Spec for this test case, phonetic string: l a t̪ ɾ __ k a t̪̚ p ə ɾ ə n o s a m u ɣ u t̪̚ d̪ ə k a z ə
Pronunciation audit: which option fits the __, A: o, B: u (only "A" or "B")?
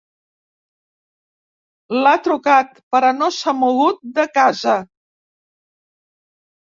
B